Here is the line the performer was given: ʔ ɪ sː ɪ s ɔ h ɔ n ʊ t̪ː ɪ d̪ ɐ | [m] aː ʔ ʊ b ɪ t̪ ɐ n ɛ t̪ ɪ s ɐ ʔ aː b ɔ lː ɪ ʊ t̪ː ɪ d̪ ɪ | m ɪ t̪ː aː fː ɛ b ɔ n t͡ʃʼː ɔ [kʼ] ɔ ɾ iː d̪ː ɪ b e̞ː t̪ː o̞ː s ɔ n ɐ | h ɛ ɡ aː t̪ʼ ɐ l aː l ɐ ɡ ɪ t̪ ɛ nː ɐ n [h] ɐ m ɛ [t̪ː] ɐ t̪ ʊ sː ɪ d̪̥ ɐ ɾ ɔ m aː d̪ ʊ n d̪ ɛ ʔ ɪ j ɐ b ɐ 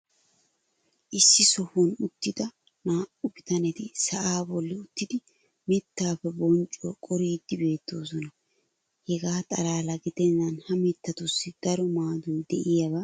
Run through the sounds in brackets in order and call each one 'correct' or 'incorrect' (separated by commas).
incorrect, correct, correct, correct